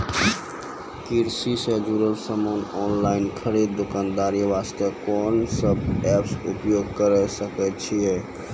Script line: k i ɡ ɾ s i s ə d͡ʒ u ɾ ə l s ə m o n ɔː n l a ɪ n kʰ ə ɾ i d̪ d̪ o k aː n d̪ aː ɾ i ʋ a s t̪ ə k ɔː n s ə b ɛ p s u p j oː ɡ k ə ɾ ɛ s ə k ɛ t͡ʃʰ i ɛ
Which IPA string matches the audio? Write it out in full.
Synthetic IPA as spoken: k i ɾ s i s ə d͡ʒ u ɾ ə l s ə m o n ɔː n l a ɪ n kʰ ə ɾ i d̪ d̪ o k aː n d̪ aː ɾ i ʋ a s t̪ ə k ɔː n s ə b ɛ p s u p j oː ɡ k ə ɾ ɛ s ə k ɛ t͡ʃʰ i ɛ